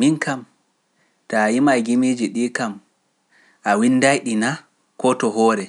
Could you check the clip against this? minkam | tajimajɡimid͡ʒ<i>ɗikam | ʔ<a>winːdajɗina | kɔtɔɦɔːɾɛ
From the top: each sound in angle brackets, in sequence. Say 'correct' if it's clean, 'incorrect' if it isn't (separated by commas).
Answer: correct, correct